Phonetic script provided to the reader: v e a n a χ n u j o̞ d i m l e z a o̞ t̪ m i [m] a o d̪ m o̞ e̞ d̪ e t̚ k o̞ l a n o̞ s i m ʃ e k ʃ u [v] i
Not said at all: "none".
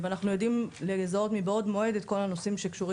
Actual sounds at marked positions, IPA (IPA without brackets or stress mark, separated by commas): b, ʁ